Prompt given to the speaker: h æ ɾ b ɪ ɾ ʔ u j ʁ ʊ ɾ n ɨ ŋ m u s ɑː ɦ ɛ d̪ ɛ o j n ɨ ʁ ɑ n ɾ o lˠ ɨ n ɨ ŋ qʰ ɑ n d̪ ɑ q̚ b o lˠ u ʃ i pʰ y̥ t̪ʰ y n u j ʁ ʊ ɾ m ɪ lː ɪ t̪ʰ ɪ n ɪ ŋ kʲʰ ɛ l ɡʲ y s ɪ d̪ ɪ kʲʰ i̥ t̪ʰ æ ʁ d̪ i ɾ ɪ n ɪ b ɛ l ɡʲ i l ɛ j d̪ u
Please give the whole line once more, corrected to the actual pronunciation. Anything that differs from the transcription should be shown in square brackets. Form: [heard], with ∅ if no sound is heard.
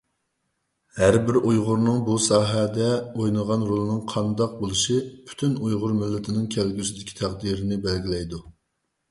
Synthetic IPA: h æ ɾ b ɪ ɾ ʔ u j ʁ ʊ ɾ n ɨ ŋ [b] u s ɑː ɦ ɛ d̪ ɛ o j n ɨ ʁ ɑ n ɾ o lˠ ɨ n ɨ ŋ qʰ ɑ n d̪ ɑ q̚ b o lˠ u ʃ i pʰ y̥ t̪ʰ y n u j ʁ ʊ ɾ m ɪ lː ɪ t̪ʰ ɪ n ɪ ŋ kʲʰ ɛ l ɡʲ y s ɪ d̪ ɪ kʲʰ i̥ t̪ʰ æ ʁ d̪ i ɾ ɪ n ɪ b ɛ l ɡʲ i l ɛ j d̪ u